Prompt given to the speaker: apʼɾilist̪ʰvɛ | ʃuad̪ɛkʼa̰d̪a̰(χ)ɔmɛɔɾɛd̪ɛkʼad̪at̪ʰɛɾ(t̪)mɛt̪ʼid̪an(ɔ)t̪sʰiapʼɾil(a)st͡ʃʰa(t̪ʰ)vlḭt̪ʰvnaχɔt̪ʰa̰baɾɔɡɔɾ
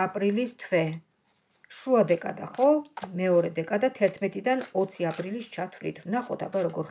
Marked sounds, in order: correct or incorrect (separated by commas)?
correct, incorrect, correct, incorrect, correct